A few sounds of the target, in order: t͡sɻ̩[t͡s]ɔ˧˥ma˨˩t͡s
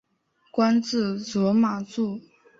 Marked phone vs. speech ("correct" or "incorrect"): correct